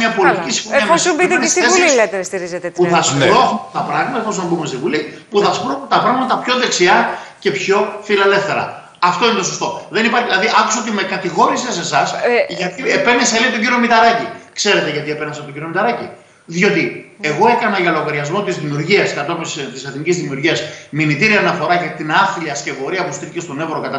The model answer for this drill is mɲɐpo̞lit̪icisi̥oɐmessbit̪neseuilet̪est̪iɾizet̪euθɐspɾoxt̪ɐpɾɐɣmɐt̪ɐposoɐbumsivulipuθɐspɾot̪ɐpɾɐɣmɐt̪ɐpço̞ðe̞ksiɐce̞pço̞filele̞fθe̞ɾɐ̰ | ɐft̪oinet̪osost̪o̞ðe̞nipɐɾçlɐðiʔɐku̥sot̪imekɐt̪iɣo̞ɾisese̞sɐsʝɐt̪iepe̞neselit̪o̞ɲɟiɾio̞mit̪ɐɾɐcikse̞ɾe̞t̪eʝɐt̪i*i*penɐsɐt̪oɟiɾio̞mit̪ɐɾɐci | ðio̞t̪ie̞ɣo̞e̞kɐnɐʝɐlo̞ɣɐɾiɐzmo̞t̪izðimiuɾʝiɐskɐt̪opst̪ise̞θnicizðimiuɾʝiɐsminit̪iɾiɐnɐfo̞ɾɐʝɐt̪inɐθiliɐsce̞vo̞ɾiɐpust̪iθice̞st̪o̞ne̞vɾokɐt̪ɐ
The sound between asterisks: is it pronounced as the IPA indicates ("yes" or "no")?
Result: no